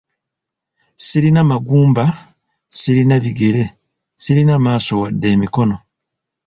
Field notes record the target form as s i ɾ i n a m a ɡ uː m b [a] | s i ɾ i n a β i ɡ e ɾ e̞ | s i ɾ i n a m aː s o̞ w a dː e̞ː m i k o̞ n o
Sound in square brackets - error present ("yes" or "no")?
no